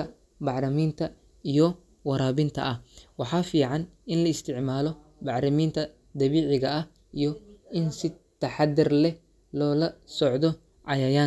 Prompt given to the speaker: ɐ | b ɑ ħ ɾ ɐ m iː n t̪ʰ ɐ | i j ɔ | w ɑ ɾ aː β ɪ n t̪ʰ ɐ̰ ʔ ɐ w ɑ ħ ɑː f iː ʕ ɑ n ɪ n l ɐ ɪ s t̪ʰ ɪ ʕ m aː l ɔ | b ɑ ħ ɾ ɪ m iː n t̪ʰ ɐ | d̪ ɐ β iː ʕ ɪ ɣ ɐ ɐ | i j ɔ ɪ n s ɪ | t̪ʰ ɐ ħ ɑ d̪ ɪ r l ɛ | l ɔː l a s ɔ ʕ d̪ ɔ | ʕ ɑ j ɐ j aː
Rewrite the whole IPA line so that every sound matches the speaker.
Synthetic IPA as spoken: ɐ | b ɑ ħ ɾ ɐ m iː n t̪ʰ ɐ | i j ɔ | w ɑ ɾ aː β ɪ n t̪ʰ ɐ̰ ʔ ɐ w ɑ ħ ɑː f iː ʕ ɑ n ɪ n l ɐ ɪ s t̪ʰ ɪ ʕ m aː l ɔ | b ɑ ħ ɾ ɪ m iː n t̪ʰ ɐ | d̪ ɐ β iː ʕ ɪ ɣ ɐ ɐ | i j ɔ ɪ n s ɪ | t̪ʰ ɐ ħ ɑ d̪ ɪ r l ɛ | l ɔː l ɐ s ɔ ʕ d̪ ɔ | ʕ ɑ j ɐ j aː